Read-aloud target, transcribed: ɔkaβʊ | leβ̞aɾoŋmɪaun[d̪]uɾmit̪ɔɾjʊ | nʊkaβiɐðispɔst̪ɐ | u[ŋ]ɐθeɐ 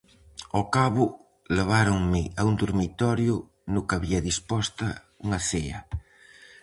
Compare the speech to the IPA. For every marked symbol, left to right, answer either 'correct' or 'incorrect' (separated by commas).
correct, correct